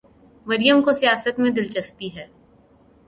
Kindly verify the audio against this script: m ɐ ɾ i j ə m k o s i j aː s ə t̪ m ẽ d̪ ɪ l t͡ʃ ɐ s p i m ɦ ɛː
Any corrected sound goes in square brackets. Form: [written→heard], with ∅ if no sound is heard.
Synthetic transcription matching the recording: m ɐ ɾ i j ə m k o s i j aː s ə t̪ m ẽ d̪ ɪ l t͡ʃ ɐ s p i [m→∅] ɦ ɛː